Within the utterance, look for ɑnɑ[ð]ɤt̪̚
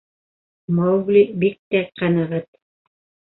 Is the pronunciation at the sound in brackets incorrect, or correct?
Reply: incorrect